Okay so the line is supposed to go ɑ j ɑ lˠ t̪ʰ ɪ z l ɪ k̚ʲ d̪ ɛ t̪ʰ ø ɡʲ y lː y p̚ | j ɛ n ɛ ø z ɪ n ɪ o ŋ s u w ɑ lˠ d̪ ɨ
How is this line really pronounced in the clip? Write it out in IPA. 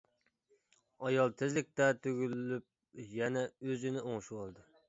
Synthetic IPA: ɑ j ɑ lˠ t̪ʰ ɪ z l ɪ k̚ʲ t̪ ɛ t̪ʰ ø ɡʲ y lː y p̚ | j ɛ n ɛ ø z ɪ n ɪ o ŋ ʃ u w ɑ lˠ d̪ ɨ